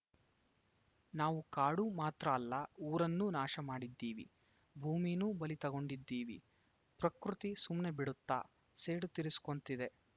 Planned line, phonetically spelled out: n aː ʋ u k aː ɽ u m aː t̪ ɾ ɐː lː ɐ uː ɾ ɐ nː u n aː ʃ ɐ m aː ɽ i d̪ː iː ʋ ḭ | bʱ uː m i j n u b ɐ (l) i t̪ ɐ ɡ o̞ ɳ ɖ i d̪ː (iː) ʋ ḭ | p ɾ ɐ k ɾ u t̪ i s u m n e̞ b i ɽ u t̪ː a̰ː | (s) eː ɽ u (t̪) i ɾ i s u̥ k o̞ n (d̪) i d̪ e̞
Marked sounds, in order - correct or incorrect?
correct, correct, correct, correct, incorrect

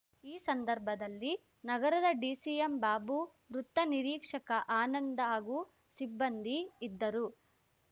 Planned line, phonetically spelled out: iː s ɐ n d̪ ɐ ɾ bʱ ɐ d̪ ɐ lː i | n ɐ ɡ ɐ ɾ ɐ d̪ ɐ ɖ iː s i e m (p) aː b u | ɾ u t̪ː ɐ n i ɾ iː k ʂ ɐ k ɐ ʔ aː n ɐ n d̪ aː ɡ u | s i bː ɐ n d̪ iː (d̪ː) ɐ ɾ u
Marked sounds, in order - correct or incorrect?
incorrect, correct

